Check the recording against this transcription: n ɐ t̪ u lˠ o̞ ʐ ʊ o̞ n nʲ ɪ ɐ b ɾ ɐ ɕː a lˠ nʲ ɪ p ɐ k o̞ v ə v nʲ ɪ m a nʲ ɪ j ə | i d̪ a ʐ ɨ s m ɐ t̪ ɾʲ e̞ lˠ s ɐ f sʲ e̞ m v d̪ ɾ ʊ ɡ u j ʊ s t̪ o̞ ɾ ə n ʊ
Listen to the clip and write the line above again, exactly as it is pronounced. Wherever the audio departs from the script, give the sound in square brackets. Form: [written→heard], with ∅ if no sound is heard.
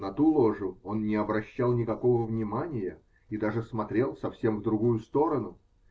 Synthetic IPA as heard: n ɐ t̪ u lˠ o̞ ʐ ʊ o̞ n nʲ ɪ ɐ b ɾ ɐ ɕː a lˠ nʲ ɪ [p→k] ɐ k o̞ v ə v nʲ ɪ m a nʲ ɪ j ə | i d̪ a ʐ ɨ s m ɐ t̪ ɾʲ e̞ lˠ s ɐ f sʲ e̞ m v d̪ ɾ ʊ ɡ u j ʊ s t̪ o̞ ɾ ə n ʊ